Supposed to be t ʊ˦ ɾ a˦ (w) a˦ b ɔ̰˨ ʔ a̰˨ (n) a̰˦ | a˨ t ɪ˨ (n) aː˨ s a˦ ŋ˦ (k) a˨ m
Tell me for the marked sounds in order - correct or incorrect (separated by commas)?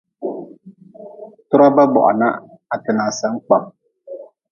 incorrect, correct, correct, incorrect